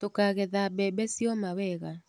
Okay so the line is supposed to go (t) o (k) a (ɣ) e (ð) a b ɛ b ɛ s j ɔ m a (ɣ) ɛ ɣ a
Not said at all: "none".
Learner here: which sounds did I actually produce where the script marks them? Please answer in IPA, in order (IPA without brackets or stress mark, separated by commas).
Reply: t, k, ɣ, ð, w